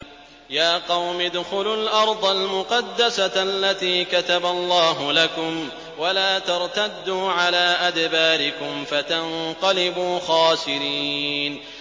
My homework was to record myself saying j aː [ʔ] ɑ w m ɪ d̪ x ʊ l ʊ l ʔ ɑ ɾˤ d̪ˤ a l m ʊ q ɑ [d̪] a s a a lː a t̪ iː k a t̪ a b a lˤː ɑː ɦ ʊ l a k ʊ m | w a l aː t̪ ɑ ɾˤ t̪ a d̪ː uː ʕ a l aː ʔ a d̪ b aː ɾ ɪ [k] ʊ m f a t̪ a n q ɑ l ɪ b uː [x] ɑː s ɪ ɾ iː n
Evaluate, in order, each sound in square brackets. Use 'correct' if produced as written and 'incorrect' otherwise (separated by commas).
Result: incorrect, incorrect, correct, correct